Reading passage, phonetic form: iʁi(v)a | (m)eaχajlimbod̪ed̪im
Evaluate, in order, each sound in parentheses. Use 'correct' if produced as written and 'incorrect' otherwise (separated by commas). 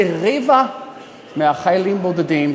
correct, correct